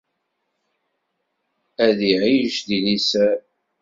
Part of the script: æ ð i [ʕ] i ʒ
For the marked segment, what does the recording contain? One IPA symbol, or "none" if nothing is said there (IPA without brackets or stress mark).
ʕ